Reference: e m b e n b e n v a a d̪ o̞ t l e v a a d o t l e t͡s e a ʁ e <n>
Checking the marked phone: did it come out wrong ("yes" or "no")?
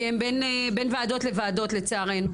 no